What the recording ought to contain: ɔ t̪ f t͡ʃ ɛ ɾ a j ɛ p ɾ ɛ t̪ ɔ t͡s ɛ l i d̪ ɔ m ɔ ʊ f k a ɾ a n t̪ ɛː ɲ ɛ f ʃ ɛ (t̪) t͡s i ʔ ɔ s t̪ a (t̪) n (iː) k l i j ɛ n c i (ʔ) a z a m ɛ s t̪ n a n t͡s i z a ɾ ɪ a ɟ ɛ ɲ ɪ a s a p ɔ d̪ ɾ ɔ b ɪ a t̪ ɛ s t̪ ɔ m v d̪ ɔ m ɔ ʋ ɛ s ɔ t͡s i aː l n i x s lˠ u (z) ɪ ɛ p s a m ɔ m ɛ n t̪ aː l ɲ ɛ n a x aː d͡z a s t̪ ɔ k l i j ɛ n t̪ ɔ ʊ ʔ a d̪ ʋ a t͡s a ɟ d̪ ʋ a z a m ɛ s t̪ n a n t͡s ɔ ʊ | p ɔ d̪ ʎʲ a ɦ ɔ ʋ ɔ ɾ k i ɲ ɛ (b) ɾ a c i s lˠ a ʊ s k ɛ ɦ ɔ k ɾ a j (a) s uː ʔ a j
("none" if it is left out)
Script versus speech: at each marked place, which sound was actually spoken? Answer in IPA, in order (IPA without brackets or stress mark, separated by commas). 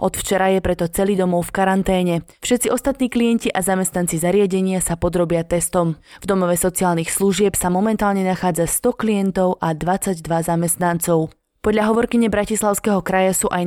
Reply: t̪, t̪, iː, ʔ, ʒ, b, a